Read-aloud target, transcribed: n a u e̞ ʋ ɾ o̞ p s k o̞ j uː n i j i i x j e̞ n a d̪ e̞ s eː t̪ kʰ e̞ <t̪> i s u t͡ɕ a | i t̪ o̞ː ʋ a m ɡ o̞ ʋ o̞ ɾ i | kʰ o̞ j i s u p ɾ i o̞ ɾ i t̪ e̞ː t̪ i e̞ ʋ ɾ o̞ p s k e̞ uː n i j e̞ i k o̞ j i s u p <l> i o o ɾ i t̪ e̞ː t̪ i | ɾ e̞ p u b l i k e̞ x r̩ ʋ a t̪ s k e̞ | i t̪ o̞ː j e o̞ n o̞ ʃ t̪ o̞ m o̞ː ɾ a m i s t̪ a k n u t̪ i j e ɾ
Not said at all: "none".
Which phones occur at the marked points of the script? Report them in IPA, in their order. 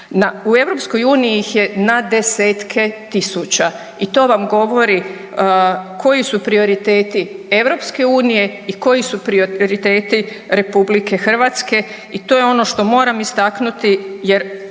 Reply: t̪, ɾ

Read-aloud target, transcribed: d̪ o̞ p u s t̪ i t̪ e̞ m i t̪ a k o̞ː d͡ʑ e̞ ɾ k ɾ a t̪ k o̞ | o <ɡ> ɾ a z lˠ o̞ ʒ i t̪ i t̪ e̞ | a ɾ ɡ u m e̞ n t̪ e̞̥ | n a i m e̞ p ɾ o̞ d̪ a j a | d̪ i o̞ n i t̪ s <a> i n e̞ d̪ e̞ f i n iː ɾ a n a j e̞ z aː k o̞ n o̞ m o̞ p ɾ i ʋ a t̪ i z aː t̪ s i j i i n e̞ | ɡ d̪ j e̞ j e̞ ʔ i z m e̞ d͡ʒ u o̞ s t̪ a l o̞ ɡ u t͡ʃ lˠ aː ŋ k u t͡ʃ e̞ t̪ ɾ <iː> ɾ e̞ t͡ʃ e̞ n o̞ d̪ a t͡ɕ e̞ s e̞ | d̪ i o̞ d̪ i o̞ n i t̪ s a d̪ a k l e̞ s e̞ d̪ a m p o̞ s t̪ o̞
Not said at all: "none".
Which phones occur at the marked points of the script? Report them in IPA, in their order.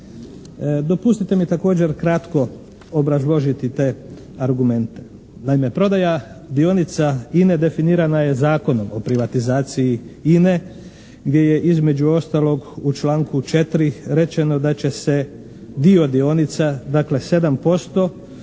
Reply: b, a, i

